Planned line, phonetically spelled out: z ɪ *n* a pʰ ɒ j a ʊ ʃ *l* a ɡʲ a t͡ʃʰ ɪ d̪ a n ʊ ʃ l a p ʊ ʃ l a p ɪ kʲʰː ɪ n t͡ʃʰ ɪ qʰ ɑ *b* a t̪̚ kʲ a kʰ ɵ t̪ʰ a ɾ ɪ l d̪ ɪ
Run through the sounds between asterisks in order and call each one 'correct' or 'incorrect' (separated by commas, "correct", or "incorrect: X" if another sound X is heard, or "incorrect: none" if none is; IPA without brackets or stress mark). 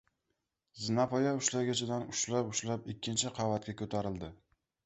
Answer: correct, correct, incorrect: v